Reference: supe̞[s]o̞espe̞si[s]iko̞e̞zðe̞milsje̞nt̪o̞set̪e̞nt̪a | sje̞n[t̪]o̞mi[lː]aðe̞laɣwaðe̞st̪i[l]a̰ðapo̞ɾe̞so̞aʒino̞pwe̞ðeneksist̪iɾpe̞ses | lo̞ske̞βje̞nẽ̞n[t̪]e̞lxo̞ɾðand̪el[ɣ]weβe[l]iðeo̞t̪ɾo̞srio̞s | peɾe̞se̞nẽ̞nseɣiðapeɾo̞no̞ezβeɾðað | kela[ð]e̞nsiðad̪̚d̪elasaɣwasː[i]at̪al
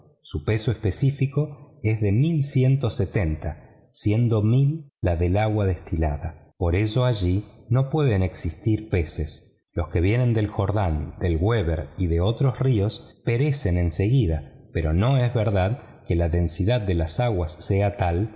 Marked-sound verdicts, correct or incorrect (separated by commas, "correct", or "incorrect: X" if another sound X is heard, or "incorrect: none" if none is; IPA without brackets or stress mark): correct, incorrect: f, incorrect: d̪, correct, correct, incorrect: d̪, correct, incorrect: ɾ, correct, incorrect: e